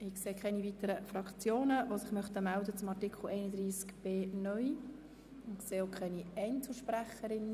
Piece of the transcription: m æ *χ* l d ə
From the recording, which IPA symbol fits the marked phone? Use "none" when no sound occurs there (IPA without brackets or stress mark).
none